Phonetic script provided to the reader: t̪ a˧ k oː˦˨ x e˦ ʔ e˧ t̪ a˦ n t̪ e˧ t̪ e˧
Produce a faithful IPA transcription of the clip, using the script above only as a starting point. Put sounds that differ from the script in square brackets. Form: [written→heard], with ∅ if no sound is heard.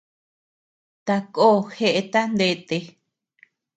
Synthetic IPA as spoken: t̪ a˧ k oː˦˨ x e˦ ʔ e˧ t̪ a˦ n [t̪→d̪] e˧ t̪ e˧